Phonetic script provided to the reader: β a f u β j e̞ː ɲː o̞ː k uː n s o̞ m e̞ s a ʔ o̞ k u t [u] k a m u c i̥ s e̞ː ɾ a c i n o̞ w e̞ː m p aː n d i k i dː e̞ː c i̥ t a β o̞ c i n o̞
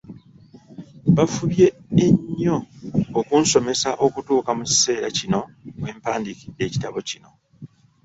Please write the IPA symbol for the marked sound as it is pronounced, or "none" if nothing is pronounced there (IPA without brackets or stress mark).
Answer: uː